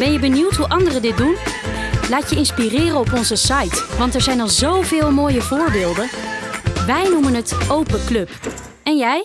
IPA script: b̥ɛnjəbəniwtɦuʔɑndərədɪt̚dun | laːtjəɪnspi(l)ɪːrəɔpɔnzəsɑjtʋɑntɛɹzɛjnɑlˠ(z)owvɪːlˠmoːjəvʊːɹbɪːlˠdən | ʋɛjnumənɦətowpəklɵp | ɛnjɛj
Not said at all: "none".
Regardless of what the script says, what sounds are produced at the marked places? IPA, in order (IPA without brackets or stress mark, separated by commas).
r, z